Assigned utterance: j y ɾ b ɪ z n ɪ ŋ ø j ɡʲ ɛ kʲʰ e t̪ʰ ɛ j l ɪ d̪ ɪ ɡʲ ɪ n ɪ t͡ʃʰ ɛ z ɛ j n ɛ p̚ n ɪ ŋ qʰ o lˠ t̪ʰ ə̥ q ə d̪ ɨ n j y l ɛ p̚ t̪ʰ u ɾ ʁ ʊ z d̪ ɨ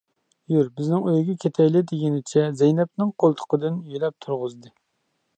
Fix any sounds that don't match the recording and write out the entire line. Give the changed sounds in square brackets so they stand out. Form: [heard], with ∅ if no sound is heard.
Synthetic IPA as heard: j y ɾ b ɪ z n ɪ ŋ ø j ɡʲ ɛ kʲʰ e t̪ʰ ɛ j l ɪ d̪ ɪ ɡʲ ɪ n ɪ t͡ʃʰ ɛ z ɛ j n ɛ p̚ n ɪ ŋ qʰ o lˠ t̪ʰ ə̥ q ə d̪ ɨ n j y l ɛ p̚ t̪ʰ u ɾ ʁ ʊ z d̪ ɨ